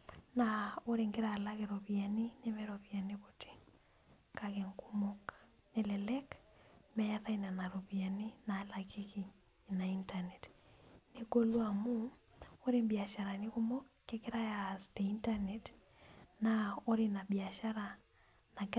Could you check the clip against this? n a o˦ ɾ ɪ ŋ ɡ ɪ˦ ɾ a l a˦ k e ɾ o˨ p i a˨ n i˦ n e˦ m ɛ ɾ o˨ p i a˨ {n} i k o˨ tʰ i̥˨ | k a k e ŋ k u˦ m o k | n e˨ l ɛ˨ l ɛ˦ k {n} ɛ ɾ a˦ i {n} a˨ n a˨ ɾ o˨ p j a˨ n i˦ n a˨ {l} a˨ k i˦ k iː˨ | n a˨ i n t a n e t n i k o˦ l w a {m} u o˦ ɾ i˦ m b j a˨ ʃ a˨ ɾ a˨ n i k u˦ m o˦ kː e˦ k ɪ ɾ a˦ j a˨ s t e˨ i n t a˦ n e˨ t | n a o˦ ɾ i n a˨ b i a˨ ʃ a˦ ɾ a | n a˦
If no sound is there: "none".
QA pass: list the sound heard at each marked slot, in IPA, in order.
n, m, n, l, m

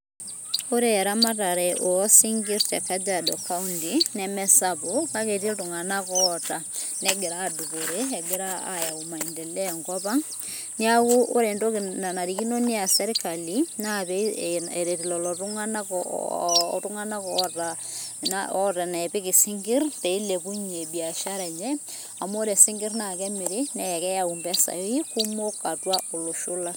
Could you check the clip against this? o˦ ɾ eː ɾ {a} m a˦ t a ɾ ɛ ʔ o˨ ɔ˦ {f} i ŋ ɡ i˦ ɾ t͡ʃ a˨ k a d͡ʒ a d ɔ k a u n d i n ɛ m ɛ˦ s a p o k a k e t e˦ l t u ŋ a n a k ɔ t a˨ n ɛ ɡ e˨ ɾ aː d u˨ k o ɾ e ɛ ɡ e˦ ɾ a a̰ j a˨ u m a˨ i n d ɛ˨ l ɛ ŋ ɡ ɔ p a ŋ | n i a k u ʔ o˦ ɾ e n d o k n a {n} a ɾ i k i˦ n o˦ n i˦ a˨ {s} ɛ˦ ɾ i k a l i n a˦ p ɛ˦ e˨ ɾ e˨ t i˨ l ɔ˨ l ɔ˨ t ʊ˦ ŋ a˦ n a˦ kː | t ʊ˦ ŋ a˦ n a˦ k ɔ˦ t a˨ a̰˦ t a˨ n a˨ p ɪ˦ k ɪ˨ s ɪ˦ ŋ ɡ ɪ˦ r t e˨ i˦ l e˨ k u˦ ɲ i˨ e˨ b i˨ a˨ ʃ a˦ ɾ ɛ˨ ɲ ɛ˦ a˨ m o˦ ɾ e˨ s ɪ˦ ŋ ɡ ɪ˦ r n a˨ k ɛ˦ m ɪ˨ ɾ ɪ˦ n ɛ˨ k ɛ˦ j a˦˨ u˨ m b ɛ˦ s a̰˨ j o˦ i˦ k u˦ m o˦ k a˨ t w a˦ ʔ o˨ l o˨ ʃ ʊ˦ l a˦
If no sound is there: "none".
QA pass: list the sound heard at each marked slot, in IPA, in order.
a, s, n, s

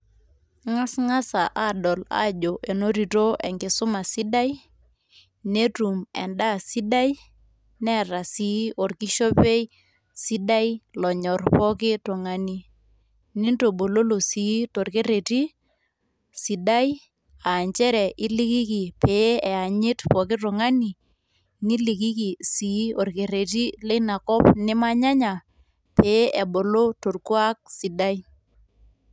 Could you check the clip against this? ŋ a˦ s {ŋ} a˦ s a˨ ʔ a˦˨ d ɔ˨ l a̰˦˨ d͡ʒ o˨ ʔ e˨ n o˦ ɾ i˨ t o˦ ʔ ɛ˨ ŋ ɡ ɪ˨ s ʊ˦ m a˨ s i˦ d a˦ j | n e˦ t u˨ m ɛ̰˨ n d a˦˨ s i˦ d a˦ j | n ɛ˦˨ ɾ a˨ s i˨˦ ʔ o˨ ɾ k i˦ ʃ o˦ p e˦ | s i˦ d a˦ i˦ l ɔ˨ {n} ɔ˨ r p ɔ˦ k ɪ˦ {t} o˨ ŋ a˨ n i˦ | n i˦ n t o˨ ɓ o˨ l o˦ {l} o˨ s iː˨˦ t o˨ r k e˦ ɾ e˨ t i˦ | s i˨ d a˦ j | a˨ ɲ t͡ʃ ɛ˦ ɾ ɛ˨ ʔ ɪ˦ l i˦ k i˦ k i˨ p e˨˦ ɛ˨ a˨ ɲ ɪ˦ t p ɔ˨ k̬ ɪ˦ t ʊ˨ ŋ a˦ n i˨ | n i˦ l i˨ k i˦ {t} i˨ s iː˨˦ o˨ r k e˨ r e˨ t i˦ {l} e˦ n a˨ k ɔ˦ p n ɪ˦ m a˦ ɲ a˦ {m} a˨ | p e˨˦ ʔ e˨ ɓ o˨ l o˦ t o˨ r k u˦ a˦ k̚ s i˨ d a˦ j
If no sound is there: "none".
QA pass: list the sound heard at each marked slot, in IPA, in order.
ŋ, ɲ, t, l, k, l, ɲ

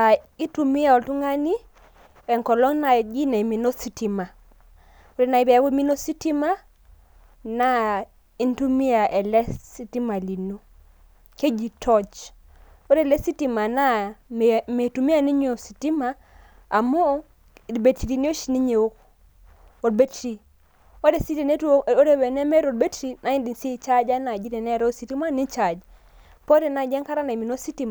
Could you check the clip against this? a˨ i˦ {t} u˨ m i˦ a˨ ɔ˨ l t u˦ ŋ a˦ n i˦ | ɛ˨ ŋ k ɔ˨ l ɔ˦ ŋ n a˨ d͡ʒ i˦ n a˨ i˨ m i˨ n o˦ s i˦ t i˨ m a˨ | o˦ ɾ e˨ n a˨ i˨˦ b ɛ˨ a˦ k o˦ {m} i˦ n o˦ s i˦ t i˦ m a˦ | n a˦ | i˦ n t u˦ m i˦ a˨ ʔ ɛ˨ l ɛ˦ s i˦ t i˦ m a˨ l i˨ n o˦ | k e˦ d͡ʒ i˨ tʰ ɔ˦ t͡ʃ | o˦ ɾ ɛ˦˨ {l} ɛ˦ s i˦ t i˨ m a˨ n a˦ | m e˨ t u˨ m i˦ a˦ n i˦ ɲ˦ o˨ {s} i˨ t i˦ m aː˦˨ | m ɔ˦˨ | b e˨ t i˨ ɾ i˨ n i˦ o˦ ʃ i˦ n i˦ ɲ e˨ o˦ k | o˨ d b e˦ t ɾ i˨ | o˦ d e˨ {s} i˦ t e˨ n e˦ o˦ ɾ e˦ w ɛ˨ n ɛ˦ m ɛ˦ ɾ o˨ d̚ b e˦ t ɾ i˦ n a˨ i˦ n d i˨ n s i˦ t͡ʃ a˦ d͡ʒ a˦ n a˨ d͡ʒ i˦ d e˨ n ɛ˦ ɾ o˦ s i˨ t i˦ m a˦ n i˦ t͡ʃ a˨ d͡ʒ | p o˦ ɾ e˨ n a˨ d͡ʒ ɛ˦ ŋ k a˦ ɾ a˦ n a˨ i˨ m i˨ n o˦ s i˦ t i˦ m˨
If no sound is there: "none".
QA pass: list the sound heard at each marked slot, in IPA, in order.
t, m, l, s, s

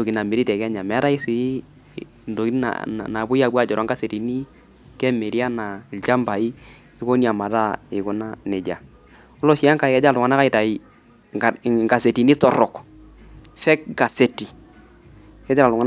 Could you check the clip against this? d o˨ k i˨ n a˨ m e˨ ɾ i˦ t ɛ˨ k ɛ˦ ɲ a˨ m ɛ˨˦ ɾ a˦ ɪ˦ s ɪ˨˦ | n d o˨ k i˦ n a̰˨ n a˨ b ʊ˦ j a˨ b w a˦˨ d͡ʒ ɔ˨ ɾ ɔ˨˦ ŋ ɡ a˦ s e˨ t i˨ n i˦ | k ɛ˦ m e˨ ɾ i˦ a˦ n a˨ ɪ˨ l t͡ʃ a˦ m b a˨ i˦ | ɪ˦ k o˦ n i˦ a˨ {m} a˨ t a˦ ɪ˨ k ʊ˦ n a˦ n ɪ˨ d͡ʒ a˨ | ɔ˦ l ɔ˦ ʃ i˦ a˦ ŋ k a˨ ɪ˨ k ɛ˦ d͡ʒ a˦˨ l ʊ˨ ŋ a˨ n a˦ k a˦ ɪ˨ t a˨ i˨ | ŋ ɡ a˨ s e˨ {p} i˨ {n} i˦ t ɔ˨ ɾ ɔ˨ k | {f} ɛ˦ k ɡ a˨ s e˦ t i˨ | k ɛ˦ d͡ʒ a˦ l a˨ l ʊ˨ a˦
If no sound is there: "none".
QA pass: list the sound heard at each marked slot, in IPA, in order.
m, t, n, f

